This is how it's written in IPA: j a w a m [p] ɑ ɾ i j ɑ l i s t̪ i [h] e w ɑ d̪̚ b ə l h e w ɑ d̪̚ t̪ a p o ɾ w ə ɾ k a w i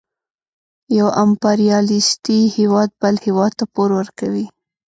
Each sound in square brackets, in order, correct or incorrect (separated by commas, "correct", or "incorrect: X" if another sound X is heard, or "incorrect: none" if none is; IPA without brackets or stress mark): correct, correct